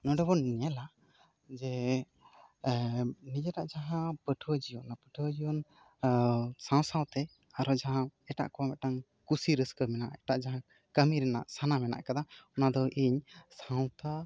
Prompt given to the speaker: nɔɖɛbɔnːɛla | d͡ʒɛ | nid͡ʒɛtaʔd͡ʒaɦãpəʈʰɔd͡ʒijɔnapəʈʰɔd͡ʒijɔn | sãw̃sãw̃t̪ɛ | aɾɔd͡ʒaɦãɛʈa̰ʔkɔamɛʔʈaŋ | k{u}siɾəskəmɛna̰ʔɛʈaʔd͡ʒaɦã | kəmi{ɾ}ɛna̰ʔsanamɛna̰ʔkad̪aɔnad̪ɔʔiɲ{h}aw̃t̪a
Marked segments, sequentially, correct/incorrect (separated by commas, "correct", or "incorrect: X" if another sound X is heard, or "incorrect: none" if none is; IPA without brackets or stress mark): correct, correct, incorrect: s